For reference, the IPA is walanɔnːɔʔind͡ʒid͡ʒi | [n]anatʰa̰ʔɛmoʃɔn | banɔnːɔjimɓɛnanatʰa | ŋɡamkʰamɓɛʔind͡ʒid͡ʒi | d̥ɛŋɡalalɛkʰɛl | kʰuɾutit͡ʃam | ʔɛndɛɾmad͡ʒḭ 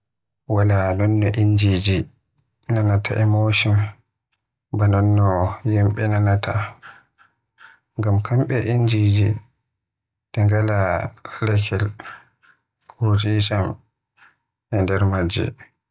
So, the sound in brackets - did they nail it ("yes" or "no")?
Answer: yes